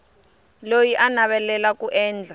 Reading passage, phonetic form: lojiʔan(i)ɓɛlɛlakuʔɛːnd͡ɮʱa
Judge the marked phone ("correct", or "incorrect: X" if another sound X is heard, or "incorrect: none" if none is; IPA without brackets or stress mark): incorrect: a